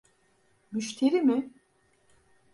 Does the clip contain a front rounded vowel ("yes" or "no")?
yes